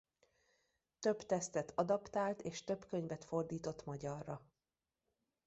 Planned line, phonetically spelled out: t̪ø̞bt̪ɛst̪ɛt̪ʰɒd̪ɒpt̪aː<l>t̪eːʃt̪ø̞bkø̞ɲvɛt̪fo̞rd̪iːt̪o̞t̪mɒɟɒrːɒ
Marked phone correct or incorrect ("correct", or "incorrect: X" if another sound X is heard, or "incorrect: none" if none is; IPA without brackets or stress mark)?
correct